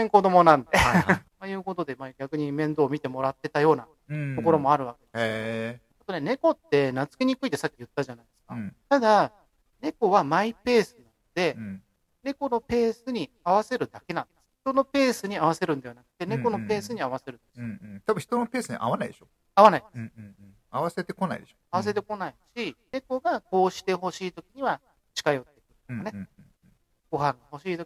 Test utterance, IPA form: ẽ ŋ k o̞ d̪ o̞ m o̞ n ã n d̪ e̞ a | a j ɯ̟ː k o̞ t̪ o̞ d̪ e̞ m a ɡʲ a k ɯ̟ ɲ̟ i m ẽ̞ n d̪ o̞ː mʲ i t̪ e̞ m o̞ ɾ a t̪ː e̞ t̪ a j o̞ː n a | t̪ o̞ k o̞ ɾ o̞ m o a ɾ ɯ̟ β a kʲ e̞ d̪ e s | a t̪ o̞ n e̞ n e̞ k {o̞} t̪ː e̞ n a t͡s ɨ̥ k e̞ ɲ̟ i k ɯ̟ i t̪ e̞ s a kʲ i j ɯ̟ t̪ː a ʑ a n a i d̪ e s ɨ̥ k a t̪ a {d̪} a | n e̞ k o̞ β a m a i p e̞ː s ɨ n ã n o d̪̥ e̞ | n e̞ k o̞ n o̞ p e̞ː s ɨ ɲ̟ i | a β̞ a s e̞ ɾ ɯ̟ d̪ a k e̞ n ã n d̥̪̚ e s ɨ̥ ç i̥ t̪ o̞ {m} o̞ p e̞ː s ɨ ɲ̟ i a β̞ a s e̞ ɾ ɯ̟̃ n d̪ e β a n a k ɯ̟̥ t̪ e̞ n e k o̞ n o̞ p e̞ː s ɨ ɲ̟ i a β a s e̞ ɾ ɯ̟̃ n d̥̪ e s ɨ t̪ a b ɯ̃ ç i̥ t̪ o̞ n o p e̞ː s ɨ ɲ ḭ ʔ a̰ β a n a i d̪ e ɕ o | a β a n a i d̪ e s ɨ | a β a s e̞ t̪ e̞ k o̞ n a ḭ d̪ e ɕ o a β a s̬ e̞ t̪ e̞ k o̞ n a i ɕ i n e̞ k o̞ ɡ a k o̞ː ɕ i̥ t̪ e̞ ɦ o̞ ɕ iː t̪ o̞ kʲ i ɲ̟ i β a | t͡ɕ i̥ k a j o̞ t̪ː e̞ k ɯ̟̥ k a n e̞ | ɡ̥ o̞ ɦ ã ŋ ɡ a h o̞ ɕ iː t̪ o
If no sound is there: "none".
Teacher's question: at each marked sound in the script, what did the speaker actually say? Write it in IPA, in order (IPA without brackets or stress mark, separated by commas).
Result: o̞, d̪, n